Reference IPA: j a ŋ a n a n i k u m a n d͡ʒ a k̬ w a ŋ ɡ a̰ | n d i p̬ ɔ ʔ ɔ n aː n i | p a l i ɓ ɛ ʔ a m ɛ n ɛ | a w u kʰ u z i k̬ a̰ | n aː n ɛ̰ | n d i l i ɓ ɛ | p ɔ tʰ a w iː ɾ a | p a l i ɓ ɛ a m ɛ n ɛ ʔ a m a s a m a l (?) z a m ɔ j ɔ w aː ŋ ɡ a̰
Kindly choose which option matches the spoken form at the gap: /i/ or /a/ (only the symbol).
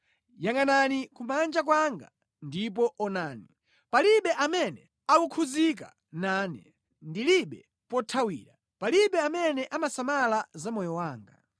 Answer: a